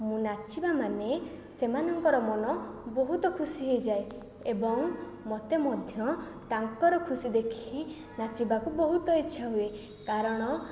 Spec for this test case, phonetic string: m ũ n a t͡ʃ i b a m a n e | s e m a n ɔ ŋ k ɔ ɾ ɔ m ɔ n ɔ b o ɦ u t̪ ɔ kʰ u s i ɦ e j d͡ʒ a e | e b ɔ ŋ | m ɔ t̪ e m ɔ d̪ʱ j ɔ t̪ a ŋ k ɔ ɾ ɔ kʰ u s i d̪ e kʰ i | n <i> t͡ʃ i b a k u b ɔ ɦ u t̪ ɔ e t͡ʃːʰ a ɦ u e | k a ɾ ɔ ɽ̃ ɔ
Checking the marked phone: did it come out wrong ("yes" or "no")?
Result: yes